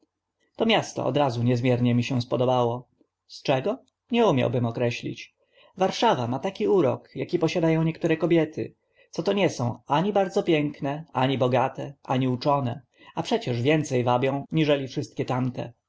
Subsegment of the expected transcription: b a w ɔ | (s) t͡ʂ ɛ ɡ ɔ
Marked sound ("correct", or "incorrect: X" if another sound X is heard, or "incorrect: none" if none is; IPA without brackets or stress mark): correct